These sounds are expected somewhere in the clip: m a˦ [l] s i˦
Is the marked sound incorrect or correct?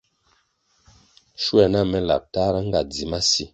incorrect